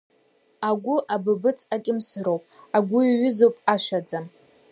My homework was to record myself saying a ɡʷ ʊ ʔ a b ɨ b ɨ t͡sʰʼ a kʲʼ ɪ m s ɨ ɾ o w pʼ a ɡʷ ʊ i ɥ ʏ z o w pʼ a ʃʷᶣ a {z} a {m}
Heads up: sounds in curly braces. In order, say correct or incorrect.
incorrect: d͡z, correct

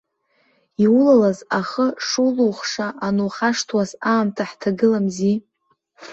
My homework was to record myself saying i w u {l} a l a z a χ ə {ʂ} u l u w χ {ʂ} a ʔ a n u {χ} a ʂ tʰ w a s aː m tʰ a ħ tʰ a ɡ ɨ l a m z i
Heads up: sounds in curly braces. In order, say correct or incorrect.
correct, correct, correct, correct

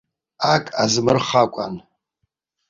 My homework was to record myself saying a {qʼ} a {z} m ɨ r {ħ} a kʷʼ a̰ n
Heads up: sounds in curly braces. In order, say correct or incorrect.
incorrect: kʼ, correct, incorrect: χ

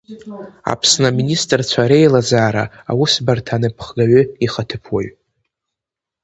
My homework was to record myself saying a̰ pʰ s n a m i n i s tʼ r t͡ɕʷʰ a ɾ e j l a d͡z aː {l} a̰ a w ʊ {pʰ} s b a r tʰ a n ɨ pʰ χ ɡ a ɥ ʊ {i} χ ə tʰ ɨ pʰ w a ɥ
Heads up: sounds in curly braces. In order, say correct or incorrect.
incorrect: ɾ, incorrect: none, correct

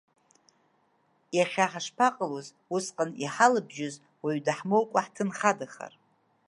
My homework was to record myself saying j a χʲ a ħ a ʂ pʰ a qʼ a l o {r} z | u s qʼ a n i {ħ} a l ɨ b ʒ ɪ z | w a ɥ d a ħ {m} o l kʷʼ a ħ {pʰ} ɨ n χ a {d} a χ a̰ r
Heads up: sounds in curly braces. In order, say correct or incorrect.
incorrect: none, correct, correct, incorrect: tʰ, correct

